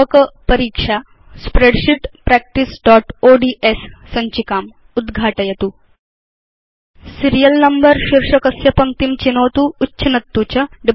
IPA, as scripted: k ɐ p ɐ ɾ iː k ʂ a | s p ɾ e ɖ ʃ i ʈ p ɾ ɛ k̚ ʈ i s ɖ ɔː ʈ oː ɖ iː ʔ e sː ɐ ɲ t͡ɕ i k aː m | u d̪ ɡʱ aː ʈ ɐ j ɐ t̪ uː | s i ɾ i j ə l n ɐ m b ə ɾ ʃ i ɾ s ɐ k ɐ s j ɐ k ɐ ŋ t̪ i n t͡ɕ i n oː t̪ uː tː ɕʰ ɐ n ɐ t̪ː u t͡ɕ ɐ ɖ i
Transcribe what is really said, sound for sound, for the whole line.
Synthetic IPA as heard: k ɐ p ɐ ɾ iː k ʂ a | s p ɾ e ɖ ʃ i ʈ p ɾ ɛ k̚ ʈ i s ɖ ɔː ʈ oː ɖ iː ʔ e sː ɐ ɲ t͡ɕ i k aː m | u d̪ ɡʱ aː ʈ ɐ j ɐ t̪ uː | s i ɾ i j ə l n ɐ m b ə ɾ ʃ i ɾ ʂ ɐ k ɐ s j ɐ p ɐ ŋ t̪ i m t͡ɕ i n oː t̪ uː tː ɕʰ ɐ n ɐ t̪ː u t͡ɕ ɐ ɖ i